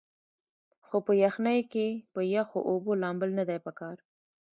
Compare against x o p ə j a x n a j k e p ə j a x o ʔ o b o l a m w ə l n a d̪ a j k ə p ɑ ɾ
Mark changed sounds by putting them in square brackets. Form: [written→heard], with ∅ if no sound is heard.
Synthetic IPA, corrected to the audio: x o p ə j a x n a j k e p ə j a x o ʔ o b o l [a→ɑ] m [w→b] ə l n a d̪ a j [k→p] ə [p→k] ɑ ɾ